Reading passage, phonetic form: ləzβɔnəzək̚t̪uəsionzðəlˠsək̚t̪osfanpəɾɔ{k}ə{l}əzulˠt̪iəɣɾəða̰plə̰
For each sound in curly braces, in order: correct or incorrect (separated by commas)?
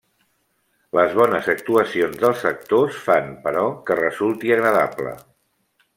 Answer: correct, incorrect